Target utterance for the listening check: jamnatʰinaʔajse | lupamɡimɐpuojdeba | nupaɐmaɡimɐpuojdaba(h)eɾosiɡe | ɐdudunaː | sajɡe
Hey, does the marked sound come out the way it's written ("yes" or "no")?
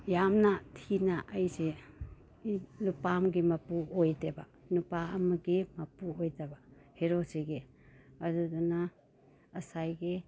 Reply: yes